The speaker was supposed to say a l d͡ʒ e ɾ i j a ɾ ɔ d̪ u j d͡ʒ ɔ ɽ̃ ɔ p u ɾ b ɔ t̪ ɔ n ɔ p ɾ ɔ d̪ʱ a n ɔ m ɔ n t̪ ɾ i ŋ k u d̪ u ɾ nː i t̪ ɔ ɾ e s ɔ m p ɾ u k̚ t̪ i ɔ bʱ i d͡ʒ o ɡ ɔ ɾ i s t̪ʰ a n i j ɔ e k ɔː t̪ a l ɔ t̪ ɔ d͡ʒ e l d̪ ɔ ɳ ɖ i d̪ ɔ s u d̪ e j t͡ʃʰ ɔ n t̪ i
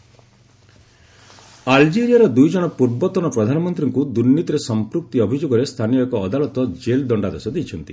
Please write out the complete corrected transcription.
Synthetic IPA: a l d͡ʒ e ɾ i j a ɾ ɔ d̪ u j d͡ʒ ɔ ɽ̃ ɔ p u ɾ b ɔ t̪ ɔ n ɔ p ɾ ɔ d̪ʱ a n ɔ m ɔ n t̪ ɾ i ŋ k u d̪ u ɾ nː i t̪ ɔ ɾ e s ɔ m p ɾ u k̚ t̪ i ɔ bʱ i d͡ʒ o ɡ ɔ ɾ e s t̪ʰ a n i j ɔ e k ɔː d̪ a l ɔ t̪ ɔ d͡ʒ e l d̪ ɔ ɳ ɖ a d̪ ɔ s ɔ d̪ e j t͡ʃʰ ɔ n t̪ i